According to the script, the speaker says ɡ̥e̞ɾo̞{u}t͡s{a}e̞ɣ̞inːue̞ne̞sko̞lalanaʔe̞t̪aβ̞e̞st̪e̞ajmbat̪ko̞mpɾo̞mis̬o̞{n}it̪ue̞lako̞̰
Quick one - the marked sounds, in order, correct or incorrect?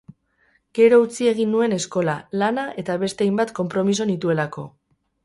correct, incorrect: i, correct

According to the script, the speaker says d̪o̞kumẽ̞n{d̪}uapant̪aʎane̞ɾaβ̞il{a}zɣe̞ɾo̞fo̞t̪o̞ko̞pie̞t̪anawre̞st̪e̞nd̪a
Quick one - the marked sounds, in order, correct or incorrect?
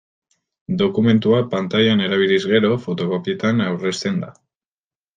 incorrect: t̪, incorrect: i

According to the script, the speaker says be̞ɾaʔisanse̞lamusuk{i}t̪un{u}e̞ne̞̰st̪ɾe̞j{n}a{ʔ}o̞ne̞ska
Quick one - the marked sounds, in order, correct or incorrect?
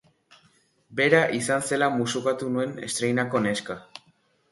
incorrect: a, correct, correct, incorrect: k

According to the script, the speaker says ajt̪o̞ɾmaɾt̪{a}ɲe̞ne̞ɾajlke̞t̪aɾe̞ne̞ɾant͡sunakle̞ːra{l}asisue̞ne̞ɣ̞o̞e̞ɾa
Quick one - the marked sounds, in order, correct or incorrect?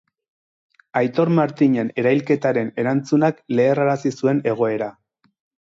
incorrect: i, incorrect: ɾ

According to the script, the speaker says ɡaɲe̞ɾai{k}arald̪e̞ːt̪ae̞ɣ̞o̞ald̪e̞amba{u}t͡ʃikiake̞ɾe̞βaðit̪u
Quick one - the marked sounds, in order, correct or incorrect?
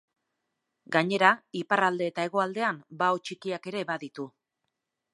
incorrect: p, incorrect: o

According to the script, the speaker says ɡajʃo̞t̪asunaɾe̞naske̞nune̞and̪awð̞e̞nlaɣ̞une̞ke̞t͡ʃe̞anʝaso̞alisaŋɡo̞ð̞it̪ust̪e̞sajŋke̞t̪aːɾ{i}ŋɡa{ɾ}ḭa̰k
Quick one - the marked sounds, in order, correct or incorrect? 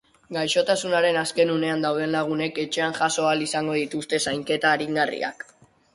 correct, incorrect: r

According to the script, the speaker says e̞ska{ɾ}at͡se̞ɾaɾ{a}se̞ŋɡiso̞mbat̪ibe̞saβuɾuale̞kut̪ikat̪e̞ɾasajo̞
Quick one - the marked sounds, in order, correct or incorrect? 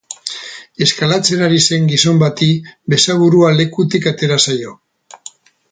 incorrect: l, incorrect: i

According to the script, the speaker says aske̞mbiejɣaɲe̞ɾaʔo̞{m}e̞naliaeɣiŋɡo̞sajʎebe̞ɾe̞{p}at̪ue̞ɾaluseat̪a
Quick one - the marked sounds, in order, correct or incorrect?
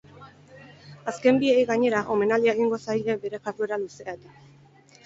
correct, incorrect: k

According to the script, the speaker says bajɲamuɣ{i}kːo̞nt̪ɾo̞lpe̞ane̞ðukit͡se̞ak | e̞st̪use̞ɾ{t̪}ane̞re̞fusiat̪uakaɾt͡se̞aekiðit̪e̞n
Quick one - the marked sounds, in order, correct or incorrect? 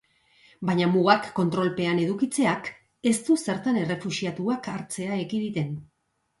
incorrect: a, correct

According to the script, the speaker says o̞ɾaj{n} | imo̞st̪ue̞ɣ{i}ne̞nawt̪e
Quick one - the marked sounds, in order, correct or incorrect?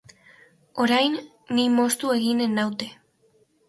incorrect: nː, correct

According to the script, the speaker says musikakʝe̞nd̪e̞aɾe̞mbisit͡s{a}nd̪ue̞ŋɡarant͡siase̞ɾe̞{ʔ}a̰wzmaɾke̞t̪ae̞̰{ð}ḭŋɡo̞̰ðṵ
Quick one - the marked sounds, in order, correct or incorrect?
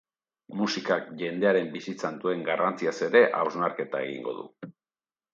correct, correct, incorrect: ɣ

